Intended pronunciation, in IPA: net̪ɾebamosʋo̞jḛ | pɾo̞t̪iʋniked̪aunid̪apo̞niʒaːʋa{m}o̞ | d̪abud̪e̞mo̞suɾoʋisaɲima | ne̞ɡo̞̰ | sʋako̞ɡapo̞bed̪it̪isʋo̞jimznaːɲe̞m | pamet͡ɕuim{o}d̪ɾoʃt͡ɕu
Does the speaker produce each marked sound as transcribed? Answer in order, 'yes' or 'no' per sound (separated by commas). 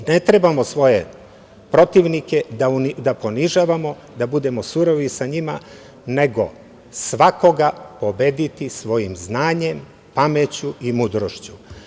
yes, no